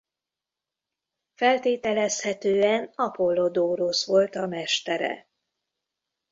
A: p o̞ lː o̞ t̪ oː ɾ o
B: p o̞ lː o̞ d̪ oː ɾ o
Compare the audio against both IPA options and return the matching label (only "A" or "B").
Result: B